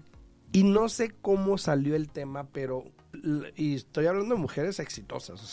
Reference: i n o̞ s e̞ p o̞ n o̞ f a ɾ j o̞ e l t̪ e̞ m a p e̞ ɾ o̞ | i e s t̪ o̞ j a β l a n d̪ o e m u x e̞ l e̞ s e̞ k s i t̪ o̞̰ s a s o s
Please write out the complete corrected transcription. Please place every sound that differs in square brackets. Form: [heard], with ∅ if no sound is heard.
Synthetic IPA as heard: i n o̞ s e̞ [k] o̞ [m] o̞ [s] a [l] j o̞ e l t̪ e̞ m a p e̞ ɾ o̞ | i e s t̪ o̞ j a β l a n d̪ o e m u x e̞ [ɾ] e̞ s e̞ k s i t̪ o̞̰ s a s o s